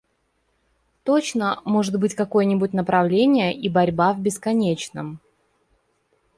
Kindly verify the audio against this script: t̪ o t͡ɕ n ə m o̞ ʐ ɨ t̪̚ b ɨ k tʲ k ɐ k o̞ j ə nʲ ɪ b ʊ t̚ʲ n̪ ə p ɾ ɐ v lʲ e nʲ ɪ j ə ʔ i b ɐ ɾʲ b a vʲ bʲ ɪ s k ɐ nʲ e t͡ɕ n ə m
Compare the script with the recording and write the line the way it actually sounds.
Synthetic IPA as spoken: t̪ o t͡ɕ n ə m o̞ ʐ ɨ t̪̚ b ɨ tʲ k ɐ k o̞ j ə nʲ ɪ b ʊ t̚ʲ n̪ ə p ɾ ɐ v lʲ e nʲ ɪ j ə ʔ i b ɐ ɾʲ b a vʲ bʲ ɪ s k ɐ nʲ e t͡ɕ n ə m